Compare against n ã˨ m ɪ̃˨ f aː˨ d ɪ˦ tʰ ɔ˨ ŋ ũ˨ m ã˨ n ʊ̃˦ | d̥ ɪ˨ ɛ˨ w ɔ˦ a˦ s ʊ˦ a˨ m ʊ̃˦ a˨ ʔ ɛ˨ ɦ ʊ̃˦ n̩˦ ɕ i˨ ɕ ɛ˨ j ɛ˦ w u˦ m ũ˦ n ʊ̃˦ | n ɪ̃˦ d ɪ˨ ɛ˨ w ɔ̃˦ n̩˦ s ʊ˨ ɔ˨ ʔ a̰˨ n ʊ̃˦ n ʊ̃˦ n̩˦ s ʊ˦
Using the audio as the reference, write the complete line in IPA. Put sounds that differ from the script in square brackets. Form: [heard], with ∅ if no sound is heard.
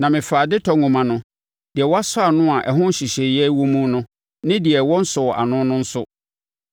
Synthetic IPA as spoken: n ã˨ m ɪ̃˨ f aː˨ d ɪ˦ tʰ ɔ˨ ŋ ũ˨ m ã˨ n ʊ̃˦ | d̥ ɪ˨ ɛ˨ w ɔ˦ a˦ s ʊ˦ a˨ [n] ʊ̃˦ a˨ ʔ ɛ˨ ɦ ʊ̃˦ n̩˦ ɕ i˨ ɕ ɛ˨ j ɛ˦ w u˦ m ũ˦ n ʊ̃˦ | n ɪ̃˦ d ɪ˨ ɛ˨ w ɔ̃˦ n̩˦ s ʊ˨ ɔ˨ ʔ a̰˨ n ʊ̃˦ n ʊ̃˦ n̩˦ s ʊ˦